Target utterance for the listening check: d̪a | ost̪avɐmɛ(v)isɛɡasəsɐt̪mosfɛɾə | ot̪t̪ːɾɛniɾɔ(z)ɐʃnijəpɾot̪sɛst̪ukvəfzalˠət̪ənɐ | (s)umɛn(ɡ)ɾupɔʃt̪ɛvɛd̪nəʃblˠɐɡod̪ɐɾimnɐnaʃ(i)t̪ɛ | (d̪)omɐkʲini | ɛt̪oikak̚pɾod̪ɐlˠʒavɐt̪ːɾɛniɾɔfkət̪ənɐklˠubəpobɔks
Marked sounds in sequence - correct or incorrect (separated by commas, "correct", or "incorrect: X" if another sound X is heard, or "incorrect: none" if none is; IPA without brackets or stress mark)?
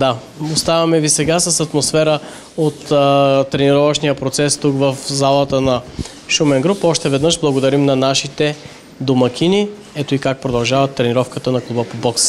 correct, incorrect: v, incorrect: ʃ, correct, correct, correct